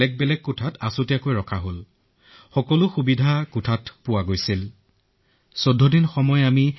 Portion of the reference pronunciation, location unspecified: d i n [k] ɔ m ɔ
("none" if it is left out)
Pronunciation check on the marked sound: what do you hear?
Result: x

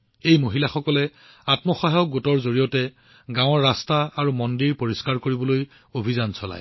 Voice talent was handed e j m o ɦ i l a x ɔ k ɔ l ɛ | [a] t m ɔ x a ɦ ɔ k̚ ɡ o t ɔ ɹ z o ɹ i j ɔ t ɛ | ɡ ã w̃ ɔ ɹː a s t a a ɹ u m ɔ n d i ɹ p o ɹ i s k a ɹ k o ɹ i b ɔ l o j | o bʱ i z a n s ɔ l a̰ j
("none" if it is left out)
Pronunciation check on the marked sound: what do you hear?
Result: a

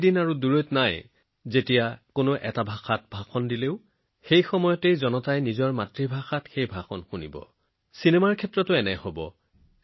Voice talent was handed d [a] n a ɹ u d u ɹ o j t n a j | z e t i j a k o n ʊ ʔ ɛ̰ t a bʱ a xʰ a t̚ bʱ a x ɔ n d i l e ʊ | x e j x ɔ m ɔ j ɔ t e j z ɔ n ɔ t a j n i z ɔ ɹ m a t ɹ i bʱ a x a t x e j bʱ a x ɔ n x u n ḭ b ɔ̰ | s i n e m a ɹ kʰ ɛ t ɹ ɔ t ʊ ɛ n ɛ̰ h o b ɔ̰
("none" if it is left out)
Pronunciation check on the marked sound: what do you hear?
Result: i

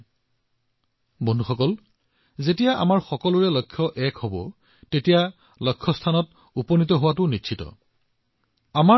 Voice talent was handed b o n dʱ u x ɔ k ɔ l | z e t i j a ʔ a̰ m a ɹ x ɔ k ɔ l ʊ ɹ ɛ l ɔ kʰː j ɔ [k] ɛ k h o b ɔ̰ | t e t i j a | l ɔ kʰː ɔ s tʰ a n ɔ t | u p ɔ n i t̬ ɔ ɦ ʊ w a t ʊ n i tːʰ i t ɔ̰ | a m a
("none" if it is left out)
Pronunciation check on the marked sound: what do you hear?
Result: ʔ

